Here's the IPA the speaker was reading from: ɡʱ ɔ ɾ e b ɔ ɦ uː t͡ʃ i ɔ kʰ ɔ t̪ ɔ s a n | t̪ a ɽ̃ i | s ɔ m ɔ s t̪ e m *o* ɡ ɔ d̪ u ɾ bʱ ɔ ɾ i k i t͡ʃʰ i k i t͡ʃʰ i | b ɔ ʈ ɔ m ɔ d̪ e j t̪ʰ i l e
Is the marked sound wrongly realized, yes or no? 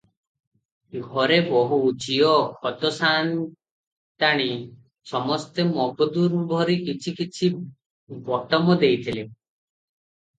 yes